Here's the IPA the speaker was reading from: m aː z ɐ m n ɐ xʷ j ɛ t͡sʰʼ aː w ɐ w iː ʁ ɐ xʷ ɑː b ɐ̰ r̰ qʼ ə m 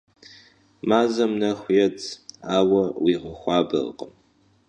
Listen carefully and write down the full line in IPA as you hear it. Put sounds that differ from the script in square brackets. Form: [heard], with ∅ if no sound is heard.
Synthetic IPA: m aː z ɐ m n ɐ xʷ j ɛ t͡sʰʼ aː w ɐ w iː ʁ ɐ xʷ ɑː b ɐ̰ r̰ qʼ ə m